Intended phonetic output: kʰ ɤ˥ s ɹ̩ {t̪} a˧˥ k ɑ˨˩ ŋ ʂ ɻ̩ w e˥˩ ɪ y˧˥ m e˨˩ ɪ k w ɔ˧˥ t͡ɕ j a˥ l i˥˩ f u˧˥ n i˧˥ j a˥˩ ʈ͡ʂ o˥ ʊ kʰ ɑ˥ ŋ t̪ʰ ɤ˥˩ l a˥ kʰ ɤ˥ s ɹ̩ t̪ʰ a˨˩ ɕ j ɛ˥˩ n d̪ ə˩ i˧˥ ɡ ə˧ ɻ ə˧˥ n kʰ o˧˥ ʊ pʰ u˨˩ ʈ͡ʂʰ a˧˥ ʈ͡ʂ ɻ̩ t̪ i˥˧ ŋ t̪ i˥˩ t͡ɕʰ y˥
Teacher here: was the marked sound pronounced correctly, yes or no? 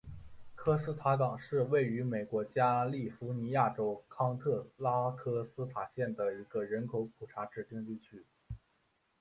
no